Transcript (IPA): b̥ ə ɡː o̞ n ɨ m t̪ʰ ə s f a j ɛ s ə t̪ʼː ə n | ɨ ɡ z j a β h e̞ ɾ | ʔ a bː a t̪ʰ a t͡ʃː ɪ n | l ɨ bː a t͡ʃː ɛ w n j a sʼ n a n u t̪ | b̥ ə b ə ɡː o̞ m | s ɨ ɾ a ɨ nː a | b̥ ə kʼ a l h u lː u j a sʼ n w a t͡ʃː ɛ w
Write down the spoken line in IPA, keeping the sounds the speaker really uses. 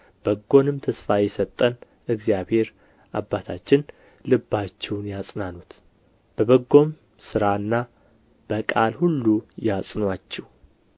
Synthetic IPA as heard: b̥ ə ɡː o̞ n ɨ m t̪ʰ ə s f a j ɛ s ə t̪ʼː ə n | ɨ ɡ z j a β h e̞ ɾ | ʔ a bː a t̪ʰ a t͡ʃː ɪ n | l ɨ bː a t͡ʃː ɛ w n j a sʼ n a n u t̪ | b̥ ə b ə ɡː o̞ m | s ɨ ɾ a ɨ nː a | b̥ ə kʼ a l h u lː u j a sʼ n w a t͡ʃː ɛ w